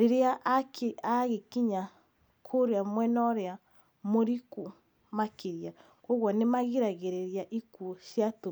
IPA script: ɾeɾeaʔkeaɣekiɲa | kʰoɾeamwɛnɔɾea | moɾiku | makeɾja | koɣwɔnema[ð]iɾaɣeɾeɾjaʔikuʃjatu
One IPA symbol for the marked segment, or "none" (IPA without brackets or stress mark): ɣ